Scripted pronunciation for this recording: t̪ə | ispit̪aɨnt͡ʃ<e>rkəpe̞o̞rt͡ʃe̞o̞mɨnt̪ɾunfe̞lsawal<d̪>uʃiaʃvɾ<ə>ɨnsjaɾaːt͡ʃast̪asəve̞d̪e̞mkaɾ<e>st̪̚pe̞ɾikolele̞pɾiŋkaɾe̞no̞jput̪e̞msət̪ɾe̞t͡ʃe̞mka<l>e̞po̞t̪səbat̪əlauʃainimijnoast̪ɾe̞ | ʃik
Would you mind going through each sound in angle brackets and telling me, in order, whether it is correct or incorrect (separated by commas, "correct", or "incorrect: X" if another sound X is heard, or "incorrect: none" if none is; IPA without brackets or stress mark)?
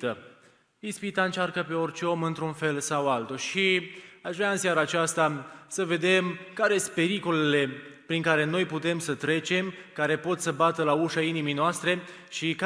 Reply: incorrect: a, incorrect: t̪, incorrect: a, correct, incorrect: ɾ